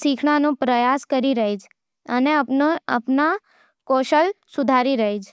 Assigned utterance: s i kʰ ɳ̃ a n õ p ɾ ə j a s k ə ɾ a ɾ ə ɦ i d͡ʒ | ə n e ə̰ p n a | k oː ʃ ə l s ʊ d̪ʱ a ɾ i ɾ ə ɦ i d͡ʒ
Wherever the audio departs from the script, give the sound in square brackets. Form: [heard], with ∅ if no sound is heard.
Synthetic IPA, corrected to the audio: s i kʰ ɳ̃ a n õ p ɾ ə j a s k ə ɾ [i] ɾ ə ɦ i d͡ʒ | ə n e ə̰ p n a | k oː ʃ ə l s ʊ d̪ʱ a ɾ i ɾ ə ɦ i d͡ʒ